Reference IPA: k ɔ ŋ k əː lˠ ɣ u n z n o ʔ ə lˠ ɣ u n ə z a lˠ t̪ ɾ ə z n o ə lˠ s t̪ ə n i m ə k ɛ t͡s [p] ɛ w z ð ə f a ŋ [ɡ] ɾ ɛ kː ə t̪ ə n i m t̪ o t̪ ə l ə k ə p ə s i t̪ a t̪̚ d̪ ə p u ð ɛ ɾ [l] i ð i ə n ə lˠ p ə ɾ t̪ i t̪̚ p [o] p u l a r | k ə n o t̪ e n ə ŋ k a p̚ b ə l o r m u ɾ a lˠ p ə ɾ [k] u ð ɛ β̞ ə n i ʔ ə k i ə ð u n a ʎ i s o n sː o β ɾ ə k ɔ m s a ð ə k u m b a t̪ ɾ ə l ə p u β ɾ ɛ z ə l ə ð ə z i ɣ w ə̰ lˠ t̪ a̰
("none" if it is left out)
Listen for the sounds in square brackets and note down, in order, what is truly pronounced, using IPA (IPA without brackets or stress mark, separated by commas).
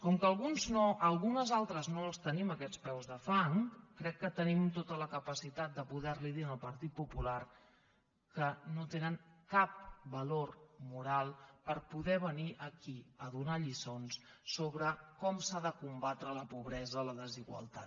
p, k, l, u, p